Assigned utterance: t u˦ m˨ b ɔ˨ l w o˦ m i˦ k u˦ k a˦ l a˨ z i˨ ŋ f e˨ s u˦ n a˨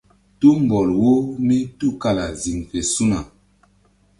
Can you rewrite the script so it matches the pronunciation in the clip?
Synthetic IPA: t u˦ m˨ b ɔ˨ l w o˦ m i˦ t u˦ k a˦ l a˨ z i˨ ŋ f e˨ s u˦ n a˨